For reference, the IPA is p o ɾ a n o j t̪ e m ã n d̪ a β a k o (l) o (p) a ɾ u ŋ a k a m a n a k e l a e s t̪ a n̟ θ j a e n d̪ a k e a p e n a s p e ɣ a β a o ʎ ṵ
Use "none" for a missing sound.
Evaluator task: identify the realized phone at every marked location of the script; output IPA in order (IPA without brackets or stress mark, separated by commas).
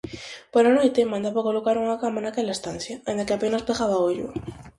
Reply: l, k